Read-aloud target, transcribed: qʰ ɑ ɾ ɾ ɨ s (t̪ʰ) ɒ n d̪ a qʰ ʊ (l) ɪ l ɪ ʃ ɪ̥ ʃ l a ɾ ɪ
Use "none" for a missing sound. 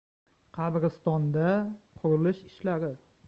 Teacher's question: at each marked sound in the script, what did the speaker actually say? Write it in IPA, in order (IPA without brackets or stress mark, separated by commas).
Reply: t̪, ɾ